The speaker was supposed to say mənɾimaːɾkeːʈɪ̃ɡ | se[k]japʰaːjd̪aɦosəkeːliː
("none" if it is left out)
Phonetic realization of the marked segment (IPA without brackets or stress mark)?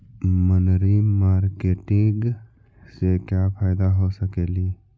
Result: k